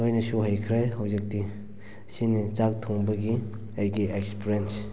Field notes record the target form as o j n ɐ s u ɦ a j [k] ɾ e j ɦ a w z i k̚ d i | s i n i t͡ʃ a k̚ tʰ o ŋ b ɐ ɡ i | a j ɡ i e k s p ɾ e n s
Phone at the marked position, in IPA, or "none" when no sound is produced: kʰ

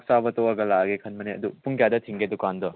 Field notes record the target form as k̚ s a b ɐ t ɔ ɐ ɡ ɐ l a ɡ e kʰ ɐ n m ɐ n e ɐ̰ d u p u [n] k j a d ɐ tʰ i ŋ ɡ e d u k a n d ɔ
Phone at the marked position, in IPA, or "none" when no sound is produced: ŋ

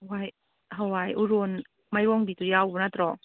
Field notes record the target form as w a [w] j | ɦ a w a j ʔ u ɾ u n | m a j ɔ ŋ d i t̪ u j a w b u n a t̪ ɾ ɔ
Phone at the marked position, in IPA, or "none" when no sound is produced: none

